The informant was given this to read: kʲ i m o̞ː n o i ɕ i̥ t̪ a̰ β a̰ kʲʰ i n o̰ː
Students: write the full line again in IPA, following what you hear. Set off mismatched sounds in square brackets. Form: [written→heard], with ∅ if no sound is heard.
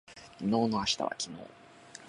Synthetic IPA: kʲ i [m→n] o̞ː n o [i→a] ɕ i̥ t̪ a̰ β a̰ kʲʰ i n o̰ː